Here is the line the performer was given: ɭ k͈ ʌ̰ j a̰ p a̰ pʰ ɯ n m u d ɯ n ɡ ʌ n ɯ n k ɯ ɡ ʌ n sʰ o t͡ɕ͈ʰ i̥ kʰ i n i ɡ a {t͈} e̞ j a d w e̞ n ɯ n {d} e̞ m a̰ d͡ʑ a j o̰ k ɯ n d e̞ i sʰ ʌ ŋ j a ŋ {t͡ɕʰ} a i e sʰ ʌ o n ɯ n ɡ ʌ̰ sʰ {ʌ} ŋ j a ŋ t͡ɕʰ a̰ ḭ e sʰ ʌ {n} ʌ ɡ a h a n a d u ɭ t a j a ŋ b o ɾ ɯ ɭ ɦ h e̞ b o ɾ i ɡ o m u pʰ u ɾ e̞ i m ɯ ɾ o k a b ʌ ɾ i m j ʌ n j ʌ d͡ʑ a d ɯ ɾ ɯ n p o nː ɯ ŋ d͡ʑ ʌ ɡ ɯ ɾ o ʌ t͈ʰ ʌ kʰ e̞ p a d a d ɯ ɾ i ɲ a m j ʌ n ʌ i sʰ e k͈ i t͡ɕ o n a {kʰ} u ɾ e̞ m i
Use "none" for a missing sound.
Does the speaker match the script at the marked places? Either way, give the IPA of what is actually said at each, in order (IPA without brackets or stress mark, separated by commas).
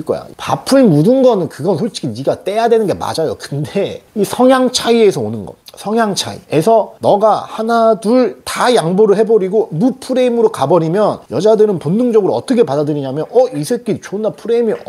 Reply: t͈, ɡ, t͡ɕʰ, ʌ, n, pʰ